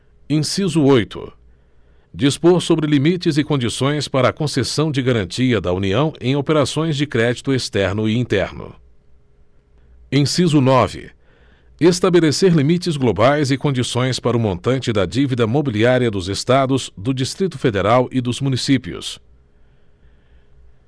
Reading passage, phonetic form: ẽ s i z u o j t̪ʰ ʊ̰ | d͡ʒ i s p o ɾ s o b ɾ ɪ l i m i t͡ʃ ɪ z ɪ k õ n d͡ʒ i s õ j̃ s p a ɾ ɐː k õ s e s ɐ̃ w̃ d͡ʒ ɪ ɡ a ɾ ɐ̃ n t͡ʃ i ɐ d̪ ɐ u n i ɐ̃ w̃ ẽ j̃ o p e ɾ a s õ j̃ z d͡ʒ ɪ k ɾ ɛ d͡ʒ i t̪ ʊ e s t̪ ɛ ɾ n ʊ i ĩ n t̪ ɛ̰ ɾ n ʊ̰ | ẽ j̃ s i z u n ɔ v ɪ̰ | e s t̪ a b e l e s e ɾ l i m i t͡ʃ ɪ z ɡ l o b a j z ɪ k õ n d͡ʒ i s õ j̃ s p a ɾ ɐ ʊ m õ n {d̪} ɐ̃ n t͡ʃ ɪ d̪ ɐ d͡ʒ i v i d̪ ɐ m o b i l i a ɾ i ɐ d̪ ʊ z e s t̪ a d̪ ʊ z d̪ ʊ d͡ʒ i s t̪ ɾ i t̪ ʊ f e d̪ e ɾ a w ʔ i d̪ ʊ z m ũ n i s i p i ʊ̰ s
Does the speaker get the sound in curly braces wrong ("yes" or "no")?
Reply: yes